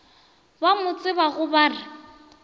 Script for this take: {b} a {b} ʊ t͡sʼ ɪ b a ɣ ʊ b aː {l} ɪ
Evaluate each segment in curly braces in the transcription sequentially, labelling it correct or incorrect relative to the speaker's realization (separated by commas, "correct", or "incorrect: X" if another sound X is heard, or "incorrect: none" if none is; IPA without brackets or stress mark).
correct, incorrect: m, incorrect: r